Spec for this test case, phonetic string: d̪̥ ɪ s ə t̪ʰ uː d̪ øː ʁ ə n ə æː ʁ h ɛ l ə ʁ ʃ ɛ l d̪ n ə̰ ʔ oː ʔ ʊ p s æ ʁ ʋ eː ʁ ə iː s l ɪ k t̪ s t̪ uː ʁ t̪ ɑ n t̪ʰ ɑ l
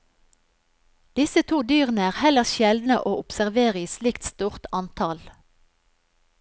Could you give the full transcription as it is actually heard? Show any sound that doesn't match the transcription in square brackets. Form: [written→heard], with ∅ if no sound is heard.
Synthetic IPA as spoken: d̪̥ ɪ s ə t̪ʰ uː d̪ [øː→yː] ʁ ə n ə æː ʁ h ɛ l ə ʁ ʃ ɛ l d̪ n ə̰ ʔ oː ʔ ʊ p s æ ʁ ʋ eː ʁ ə iː s l ɪ k t̪ s t̪ uː ʁ t̪ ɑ n t̪ʰ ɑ l